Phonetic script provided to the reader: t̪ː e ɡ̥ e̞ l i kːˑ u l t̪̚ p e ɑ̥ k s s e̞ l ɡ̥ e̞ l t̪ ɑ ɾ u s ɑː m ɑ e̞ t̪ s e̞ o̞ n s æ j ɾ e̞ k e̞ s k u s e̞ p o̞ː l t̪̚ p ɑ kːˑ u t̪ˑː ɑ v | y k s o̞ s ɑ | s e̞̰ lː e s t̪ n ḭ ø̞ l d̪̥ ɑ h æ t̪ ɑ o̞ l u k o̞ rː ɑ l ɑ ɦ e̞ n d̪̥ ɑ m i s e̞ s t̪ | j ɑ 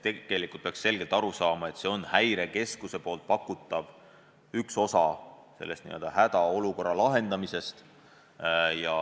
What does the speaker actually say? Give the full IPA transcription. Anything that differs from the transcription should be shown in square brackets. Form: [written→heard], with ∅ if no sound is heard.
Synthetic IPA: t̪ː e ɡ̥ e̞ l i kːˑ u l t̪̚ p e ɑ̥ k s s e̞ l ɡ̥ e̞ l t̪ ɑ ɾ u s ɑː m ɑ e̞ t̪ s e̞ o̞ n [s→h] æ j ɾ e̞ k e̞ s k u s e̞ p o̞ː l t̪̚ p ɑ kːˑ u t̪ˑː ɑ v | y k s o̞ s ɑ | s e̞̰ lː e s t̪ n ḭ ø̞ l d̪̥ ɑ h æ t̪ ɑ o̞ l u k o̞ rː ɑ l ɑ ɦ e̞ n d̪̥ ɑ m i s e̞ s t̪ | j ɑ